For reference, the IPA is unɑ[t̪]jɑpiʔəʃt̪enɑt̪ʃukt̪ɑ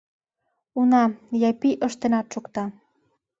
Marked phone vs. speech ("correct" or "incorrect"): incorrect